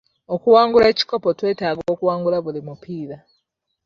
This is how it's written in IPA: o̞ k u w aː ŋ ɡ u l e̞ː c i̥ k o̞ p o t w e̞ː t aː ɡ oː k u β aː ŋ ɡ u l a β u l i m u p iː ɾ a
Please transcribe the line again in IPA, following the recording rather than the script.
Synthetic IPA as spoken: o̞ k u w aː ŋ ɡ u l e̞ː c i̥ k o̞ p o t w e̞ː t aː ɡ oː k u w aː ŋ ɡ u l a β u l i m u p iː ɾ a